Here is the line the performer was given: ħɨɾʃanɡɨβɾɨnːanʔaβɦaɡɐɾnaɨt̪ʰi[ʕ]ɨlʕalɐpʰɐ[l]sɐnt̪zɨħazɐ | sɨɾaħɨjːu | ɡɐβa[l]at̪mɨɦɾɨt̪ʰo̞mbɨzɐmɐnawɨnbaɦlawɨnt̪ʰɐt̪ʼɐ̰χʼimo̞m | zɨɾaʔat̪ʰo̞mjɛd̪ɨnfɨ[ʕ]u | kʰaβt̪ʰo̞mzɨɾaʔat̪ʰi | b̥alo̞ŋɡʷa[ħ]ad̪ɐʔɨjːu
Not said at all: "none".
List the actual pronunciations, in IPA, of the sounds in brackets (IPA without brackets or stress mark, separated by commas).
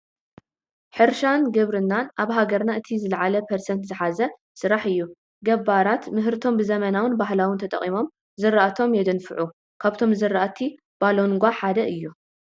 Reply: z, ɾ, ɾ, ʕ, ħ